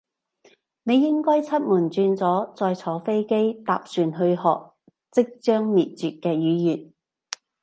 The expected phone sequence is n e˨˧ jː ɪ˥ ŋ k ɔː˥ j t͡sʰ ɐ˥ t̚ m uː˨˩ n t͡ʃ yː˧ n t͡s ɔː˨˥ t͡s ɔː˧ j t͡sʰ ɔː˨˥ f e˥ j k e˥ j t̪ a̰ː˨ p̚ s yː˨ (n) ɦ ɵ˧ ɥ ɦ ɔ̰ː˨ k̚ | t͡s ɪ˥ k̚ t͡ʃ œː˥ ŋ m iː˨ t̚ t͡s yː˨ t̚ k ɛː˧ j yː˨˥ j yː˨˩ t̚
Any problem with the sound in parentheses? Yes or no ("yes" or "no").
no